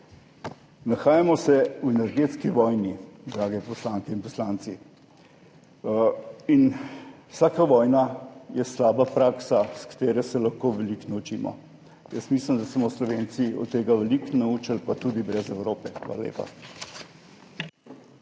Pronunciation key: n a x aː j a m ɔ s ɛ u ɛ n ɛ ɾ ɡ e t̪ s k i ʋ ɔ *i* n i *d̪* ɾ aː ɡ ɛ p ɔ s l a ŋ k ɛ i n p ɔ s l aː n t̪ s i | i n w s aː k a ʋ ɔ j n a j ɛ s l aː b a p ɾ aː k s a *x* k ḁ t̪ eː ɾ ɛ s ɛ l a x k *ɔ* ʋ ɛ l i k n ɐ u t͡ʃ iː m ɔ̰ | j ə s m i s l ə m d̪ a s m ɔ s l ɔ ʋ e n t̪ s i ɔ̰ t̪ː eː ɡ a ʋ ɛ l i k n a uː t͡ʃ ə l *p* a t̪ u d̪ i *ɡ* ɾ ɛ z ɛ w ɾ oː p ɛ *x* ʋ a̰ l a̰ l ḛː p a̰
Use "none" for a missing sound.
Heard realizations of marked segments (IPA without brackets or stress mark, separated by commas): j, d̪, s, o, p, b, x